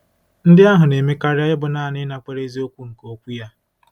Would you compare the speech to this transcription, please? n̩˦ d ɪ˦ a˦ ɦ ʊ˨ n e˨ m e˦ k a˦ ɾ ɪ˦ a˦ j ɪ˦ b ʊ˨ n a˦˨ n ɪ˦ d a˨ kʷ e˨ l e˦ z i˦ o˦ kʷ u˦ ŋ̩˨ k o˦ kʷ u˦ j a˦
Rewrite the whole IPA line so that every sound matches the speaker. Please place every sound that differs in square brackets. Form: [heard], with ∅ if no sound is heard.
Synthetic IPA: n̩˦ d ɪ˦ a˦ ɦ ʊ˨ n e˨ m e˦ k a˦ ɾ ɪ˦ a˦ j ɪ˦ b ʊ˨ n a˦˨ n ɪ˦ [n] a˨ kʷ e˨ [ɾ] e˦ z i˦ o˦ kʷ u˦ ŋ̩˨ k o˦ kʷ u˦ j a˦